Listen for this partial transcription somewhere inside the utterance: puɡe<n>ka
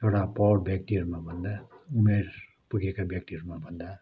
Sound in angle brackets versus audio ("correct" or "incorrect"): incorrect